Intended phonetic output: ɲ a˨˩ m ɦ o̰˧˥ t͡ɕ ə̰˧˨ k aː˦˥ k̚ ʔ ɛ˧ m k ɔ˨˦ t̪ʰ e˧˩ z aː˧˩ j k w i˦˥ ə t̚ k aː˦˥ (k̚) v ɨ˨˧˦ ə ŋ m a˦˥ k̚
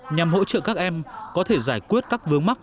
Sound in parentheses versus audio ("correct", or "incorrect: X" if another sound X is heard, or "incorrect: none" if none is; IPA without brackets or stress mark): correct